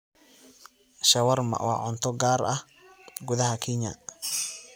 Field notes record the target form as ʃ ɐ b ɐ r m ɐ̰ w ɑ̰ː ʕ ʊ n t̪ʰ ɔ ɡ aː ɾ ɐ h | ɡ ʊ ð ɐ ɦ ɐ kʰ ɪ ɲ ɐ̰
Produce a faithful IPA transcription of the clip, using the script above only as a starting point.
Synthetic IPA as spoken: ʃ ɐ w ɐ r m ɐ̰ w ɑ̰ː ʕ ʊ n t̪ʰ ɔ ɡ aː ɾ ɐ h | ɡ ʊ ð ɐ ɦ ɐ kʰ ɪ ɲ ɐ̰